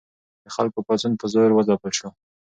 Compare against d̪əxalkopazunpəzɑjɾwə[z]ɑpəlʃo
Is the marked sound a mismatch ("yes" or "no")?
no